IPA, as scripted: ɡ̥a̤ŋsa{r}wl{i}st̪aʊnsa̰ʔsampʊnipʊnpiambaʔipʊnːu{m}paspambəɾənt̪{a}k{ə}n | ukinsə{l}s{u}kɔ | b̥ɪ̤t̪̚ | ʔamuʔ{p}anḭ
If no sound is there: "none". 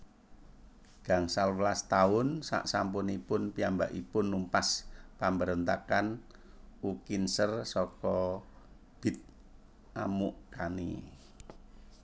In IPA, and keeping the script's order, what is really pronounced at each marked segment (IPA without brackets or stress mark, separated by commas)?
l, a, m, a, a, r, ɔ, k